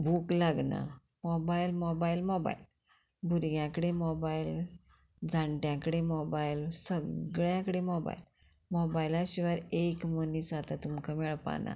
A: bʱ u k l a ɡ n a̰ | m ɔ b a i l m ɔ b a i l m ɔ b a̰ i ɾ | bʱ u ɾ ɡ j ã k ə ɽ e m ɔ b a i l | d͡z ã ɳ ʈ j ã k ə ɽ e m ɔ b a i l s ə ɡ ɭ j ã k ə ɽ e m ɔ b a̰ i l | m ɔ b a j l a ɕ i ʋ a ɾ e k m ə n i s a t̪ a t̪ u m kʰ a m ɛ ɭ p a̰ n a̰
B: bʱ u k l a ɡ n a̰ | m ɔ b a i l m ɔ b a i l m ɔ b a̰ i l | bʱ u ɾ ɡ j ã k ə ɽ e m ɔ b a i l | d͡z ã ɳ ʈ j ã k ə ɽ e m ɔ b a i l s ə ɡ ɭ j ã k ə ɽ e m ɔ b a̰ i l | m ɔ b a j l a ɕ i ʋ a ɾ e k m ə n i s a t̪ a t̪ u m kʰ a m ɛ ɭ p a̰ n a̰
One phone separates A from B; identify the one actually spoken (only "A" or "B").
B